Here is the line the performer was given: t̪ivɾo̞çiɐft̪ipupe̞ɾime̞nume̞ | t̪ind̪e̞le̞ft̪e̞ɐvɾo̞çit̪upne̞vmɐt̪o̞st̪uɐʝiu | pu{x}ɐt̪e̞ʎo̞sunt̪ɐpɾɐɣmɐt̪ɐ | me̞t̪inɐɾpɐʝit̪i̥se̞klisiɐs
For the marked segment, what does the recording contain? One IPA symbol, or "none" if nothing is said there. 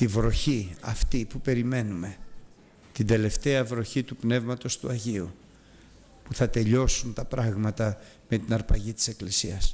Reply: θ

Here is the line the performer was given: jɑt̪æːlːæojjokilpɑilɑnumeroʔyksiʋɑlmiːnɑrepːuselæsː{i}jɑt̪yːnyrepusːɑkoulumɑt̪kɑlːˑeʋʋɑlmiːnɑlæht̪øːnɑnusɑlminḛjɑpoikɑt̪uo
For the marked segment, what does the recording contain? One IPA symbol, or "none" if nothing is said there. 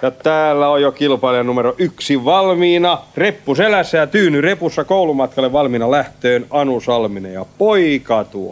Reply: æ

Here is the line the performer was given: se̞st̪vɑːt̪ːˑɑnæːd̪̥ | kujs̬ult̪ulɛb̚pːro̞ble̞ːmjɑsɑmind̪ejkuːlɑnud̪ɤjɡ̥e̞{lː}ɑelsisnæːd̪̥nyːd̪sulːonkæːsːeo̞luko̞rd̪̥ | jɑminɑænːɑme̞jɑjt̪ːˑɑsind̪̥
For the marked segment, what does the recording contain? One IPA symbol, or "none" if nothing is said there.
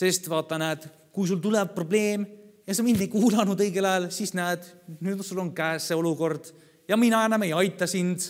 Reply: l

